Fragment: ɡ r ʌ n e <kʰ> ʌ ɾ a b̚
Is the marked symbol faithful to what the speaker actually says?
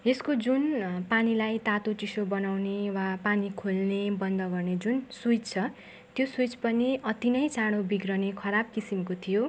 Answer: yes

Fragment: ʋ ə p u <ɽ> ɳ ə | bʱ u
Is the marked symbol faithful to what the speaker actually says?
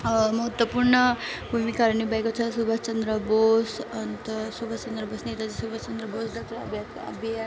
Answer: no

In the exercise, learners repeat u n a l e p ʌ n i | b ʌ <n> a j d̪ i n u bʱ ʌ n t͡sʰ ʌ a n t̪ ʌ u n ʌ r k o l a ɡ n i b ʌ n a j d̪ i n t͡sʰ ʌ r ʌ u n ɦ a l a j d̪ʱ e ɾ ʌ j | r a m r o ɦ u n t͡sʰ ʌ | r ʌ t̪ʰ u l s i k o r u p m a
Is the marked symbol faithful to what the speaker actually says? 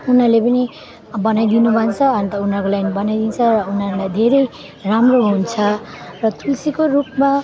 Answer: yes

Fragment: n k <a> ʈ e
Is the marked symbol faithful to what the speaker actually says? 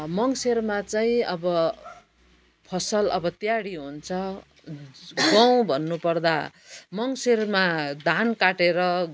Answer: yes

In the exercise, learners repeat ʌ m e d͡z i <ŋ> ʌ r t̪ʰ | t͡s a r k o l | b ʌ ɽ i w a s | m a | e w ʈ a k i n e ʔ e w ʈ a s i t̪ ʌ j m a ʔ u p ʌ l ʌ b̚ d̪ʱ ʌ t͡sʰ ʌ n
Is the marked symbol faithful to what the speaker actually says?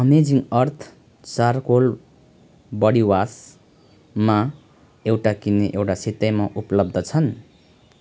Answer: yes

